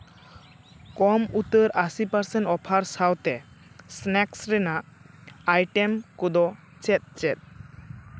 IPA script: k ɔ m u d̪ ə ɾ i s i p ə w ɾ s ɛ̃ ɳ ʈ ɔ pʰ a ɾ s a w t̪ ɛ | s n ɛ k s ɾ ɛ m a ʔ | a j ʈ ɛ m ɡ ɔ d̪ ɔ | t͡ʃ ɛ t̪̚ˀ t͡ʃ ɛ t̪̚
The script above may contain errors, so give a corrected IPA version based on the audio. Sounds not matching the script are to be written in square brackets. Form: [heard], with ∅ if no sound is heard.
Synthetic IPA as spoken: k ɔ m u [t̪] ə ɾ [a] s i p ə [∅] ɾ s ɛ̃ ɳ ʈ ɔ pʰ a ɾ s a w t̪ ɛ | s n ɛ k s ɾ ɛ [n] a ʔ | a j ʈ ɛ m [k] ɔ d̪ ɔ | t͡ʃ ɛ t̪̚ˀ t͡ʃ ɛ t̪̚